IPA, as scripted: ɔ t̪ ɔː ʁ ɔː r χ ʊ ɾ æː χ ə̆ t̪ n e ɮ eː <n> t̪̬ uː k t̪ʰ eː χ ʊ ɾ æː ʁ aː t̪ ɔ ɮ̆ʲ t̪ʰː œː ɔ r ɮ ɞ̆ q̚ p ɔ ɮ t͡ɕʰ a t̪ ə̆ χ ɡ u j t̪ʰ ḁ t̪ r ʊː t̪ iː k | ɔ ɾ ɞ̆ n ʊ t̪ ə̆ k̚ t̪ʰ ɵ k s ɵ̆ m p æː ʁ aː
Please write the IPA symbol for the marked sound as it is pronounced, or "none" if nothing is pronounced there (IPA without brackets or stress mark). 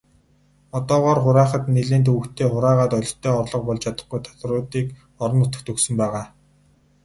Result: n